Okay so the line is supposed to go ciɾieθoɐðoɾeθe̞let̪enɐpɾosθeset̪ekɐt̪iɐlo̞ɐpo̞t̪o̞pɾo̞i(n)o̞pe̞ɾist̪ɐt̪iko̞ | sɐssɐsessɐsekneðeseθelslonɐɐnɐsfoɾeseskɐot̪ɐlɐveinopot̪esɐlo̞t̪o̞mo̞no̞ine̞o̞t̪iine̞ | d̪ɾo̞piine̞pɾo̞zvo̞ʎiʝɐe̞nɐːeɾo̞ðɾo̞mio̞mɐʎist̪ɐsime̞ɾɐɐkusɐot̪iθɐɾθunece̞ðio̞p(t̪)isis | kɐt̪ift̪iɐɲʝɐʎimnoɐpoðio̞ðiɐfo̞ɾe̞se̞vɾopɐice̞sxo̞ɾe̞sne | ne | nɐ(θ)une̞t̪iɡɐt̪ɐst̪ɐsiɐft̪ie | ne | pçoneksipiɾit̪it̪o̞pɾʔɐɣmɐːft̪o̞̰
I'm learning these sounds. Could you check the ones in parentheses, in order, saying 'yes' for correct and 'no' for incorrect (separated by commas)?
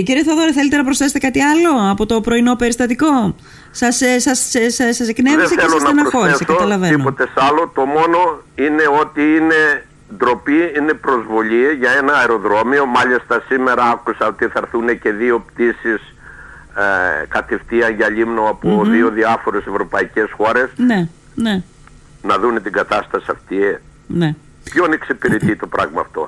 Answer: yes, yes, no